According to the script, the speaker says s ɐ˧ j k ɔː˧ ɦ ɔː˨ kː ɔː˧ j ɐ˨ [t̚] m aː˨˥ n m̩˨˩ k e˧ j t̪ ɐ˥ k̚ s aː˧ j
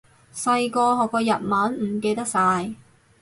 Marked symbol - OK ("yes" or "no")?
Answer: yes